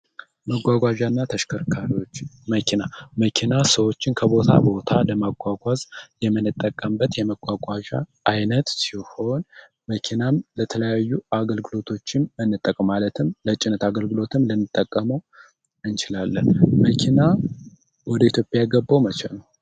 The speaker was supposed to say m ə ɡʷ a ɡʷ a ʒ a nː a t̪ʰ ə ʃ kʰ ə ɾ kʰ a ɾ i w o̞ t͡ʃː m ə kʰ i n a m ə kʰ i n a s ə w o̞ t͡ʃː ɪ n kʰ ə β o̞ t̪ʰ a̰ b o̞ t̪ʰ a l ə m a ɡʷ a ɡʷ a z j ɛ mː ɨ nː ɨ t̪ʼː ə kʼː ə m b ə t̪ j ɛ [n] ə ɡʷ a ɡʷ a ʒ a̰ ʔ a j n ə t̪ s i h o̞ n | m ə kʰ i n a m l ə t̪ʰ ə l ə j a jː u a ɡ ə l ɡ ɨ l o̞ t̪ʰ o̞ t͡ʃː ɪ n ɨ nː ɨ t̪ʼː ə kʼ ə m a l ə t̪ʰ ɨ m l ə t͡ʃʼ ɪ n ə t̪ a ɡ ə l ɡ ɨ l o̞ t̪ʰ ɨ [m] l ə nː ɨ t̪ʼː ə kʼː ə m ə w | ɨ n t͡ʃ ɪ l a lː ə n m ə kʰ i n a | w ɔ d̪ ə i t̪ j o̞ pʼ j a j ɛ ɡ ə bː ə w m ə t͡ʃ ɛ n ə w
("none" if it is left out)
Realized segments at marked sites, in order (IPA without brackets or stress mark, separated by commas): m, m